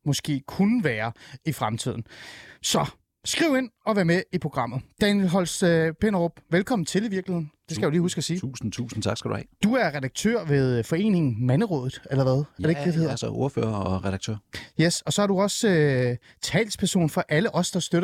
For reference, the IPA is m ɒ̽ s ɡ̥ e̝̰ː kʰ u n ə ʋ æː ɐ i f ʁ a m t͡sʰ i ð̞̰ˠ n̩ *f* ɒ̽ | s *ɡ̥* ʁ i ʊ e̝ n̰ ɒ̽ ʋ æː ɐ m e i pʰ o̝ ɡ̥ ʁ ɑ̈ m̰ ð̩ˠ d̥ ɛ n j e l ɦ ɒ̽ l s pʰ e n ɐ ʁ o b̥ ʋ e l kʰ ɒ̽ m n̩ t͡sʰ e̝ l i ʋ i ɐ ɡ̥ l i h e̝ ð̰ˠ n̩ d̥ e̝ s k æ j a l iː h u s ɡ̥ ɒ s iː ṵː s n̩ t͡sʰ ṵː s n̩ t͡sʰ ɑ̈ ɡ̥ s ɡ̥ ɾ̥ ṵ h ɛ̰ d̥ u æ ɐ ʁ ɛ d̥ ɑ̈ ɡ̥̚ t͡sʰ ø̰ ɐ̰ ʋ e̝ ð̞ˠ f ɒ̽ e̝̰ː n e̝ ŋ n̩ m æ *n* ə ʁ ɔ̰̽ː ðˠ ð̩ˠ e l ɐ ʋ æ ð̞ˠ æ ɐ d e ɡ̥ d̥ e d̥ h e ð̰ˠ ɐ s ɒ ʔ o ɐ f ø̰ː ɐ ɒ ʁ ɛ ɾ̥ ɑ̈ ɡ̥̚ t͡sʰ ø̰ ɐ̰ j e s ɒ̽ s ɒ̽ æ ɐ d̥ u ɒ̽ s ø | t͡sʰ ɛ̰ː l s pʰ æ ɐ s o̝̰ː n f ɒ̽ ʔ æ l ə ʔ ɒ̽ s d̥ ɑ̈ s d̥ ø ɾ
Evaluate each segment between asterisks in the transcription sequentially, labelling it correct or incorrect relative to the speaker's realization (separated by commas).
incorrect, correct, correct